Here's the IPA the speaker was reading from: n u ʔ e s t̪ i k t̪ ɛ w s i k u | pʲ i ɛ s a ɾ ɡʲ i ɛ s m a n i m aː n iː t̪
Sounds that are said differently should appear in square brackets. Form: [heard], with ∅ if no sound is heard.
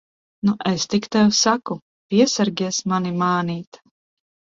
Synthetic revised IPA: n u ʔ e s t̪ i k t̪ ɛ w s [a] k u | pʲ i ɛ s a ɾ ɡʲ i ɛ s m a n i m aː n iː t̪